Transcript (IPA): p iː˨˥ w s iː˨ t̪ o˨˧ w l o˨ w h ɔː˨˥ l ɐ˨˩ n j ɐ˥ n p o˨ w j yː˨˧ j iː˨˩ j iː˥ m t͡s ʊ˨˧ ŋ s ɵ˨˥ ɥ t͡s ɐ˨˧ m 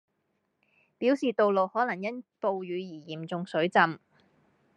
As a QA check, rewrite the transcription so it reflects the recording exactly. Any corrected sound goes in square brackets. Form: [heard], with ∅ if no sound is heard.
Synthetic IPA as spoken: p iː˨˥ w s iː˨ t̪ o˨˧ w l o˨ w h ɔː˨˥ l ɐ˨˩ [ŋ] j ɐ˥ n p o˨ w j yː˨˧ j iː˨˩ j [iː˨˩] m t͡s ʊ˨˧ ŋ s ɵ˨˥ ɥ t͡s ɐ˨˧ m